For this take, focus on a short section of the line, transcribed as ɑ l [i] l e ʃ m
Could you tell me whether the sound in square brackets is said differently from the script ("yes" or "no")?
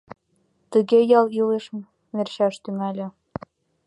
no